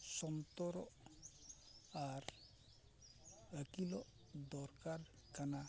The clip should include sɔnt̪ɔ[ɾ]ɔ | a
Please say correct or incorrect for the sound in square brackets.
correct